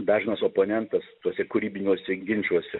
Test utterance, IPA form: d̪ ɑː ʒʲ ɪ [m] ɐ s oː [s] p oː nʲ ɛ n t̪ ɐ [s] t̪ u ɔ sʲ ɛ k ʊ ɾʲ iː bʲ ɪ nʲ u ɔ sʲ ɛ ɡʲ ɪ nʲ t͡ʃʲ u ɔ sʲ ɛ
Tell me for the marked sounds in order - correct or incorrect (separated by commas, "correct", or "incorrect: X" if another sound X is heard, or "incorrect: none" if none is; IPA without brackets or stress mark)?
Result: incorrect: n, incorrect: none, correct